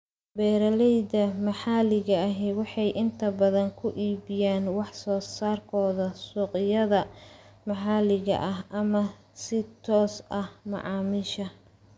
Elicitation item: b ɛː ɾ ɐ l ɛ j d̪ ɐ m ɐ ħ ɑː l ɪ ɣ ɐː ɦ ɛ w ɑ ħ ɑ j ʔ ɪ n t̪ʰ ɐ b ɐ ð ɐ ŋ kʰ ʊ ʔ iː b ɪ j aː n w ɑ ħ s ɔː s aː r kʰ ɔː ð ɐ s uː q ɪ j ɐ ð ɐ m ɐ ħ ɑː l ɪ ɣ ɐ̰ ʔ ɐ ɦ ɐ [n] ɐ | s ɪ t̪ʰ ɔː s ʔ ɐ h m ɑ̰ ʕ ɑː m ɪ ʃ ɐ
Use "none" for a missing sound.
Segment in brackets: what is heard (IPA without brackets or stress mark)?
m